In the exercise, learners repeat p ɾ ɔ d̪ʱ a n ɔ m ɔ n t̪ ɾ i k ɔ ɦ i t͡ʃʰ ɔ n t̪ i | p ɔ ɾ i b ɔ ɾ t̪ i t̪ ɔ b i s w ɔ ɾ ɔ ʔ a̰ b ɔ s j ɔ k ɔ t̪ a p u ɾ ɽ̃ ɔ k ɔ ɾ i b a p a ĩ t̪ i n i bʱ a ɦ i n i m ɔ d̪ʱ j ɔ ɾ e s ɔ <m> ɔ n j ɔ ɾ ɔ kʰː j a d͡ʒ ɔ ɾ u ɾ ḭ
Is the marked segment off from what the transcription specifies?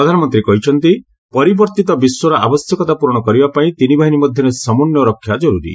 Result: no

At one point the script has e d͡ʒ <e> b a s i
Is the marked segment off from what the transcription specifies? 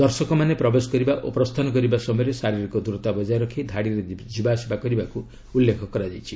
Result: yes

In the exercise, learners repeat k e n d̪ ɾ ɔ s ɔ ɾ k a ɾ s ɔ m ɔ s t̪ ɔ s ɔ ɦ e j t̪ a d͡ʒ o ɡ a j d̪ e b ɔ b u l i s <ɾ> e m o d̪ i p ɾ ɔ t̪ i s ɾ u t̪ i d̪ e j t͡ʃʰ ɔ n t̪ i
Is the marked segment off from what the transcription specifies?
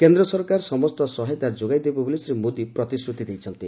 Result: no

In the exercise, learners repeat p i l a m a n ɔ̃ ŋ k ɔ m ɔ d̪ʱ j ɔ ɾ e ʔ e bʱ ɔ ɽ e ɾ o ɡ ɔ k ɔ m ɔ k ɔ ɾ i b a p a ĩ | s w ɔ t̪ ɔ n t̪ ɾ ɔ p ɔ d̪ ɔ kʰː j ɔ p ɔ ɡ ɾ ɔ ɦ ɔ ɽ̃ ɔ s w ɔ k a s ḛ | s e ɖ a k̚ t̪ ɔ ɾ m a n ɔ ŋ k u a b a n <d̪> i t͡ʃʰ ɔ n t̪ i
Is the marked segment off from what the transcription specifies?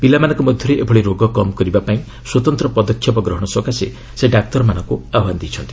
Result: no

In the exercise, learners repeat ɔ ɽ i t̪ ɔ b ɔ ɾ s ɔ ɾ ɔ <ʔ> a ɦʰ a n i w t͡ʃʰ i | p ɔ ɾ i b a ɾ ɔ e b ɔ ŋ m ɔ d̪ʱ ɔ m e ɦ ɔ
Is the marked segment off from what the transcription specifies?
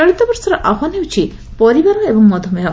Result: no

